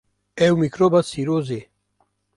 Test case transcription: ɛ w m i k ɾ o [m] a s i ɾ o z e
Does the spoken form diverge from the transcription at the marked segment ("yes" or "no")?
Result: yes